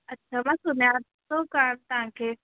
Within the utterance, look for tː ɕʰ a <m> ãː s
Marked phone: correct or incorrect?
correct